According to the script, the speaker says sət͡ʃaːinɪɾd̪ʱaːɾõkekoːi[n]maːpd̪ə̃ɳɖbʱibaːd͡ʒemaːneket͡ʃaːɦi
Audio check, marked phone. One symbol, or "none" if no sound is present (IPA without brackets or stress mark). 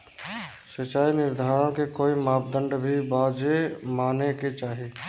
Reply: none